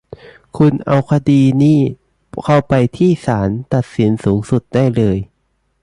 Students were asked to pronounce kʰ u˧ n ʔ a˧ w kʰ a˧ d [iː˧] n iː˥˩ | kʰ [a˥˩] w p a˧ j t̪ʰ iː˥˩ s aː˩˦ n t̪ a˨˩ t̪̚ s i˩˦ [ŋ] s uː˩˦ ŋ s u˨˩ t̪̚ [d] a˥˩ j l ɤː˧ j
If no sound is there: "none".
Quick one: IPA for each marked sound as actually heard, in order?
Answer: iː˧, a˥˩, n, d

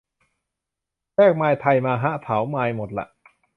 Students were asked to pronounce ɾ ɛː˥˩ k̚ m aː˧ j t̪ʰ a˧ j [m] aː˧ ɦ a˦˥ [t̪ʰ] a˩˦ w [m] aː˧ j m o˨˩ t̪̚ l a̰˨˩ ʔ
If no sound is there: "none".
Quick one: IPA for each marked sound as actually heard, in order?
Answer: m, t̪ʰ, m

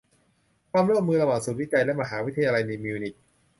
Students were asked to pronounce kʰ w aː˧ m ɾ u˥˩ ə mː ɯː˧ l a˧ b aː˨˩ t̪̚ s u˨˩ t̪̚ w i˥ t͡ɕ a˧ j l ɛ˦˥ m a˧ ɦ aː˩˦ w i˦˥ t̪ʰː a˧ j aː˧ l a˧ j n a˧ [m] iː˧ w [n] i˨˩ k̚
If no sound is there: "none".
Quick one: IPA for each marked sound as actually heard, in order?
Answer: m, n

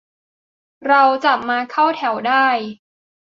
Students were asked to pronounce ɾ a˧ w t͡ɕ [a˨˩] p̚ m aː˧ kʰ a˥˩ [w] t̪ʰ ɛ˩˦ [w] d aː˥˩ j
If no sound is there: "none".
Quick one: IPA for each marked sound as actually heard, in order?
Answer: a˨˩, w, w

